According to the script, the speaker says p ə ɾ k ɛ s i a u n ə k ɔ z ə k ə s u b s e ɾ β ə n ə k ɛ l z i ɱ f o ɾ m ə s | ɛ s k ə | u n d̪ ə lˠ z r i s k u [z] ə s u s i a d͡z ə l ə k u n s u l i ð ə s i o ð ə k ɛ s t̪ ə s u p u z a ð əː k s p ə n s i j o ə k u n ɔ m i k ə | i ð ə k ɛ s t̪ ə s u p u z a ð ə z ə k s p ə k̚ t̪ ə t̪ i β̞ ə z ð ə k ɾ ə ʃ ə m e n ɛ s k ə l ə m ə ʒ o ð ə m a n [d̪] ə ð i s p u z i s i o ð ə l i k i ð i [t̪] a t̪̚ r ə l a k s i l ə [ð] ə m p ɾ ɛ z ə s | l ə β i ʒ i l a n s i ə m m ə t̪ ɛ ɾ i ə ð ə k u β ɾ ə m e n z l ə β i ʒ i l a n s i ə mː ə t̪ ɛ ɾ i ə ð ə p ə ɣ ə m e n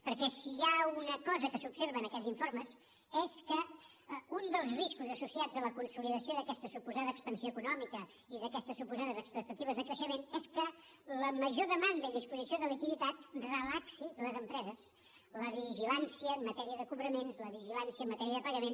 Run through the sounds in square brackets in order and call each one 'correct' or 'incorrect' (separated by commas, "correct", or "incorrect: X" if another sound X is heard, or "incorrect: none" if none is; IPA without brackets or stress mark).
correct, correct, correct, incorrect: z